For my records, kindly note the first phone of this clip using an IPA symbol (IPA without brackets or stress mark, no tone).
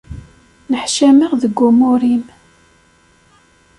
n